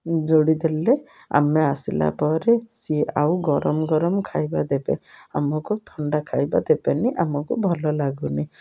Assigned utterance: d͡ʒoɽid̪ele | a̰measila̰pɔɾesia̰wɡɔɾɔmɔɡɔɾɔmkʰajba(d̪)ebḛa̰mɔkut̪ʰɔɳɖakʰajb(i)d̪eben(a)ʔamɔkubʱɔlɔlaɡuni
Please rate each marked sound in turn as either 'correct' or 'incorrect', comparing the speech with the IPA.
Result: correct, incorrect: a, incorrect: i

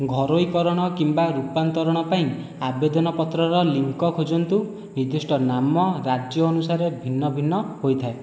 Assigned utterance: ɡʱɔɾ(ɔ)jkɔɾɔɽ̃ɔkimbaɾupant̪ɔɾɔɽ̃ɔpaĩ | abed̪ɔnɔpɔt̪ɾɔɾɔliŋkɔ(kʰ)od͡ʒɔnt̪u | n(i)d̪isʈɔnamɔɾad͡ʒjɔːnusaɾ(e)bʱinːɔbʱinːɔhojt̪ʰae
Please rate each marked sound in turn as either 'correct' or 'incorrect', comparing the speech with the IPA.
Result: incorrect: o, correct, correct, correct

